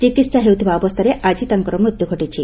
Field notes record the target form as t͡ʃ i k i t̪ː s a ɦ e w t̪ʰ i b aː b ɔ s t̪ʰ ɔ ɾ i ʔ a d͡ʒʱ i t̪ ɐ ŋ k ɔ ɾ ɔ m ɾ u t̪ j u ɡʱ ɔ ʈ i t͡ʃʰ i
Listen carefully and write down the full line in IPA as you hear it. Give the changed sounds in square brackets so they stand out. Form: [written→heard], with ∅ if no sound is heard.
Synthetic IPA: t͡ʃ i k i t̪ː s a ɦ e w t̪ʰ i b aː b ɔ s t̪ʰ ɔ ɾ [i→e] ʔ a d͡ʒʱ i t̪ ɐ ŋ k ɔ ɾ ɔ m ɾ u t̪ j u ɡʱ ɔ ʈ i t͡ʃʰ i